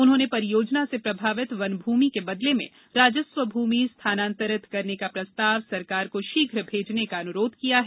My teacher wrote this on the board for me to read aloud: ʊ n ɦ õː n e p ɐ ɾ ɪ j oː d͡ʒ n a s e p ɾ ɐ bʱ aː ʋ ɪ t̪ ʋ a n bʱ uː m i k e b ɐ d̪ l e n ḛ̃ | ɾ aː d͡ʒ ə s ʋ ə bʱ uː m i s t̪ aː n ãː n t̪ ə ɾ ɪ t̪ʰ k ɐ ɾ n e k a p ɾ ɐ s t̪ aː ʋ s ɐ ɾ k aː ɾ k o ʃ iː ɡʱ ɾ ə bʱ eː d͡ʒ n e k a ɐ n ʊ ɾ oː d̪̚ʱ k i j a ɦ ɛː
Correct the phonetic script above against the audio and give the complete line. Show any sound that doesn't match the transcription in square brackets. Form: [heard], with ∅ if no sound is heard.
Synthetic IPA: ʊ n ɦ õː n e p ɐ ɾ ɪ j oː d͡ʒ n a s e p ɾ ɐ bʱ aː ʋ ɪ t̪ ʋ [ɐ] n bʱ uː m i k e b ɐ d̪ l e [m] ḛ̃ | ɾ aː d͡ʒ ə s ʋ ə bʱ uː m i s [t̪ʰ] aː n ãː n t̪ ə ɾ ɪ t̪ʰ k ɐ ɾ n e k a p ɾ ɐ s t̪ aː ʋ s ɐ ɾ k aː ɾ k o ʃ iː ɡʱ ɾ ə bʱ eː d͡ʒ n e k a ɐ n ʊ ɾ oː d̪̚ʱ k i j a ɦ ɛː